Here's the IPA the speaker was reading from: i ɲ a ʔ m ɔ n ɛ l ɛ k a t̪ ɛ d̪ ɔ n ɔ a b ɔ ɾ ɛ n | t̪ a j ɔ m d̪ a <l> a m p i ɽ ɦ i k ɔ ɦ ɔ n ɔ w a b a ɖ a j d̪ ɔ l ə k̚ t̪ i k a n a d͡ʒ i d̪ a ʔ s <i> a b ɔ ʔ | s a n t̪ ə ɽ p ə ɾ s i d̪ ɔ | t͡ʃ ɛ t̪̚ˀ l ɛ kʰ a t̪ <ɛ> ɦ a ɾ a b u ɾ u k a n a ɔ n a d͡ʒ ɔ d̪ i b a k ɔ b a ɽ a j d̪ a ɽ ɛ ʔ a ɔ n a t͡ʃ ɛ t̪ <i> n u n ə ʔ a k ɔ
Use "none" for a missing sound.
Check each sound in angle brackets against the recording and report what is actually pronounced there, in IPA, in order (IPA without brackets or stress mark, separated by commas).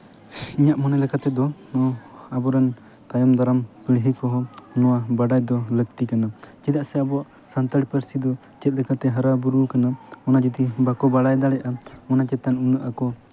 ɾ, ɛ, ɛ, a